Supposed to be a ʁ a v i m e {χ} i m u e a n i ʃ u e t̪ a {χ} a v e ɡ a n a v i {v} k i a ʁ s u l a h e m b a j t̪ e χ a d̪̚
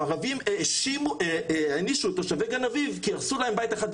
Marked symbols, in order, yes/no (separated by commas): no, no, yes